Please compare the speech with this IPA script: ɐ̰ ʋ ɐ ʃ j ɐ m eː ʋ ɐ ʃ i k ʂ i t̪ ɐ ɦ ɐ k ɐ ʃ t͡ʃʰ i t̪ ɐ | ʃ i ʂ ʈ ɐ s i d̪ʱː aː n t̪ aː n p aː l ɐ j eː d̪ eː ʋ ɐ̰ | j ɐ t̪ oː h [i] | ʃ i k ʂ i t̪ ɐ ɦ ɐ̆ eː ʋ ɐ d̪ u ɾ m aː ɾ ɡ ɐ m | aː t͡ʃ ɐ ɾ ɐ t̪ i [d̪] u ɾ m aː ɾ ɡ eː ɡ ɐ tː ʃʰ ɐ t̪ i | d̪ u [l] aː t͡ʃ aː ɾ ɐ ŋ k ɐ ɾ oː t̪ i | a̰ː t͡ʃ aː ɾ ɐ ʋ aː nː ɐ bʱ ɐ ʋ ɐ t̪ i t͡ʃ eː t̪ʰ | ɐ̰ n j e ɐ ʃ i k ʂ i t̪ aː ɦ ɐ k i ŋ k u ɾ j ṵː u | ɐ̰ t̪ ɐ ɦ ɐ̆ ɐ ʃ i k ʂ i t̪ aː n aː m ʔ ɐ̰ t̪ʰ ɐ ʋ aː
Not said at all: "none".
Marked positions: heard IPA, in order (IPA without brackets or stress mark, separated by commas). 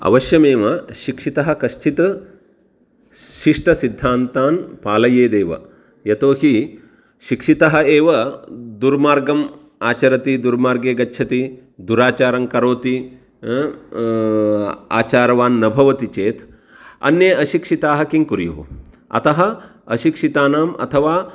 i, d̪, ɾ